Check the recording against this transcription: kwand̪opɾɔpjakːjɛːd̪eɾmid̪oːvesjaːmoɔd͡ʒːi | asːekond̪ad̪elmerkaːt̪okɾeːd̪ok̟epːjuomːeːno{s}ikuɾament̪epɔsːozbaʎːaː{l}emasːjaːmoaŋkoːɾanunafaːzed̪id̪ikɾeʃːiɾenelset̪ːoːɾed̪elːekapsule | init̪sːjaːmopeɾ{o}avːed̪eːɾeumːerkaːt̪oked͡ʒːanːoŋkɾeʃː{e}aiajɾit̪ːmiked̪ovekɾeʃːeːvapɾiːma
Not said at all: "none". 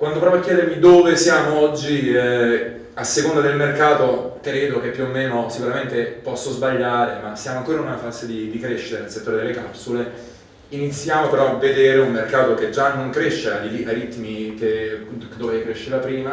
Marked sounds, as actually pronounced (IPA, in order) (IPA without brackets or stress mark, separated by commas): s, ɾ, ɔ, e